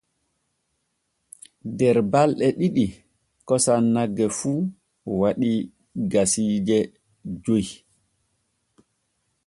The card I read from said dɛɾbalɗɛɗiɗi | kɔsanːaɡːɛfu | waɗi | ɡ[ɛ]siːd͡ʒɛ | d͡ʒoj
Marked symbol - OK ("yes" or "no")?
no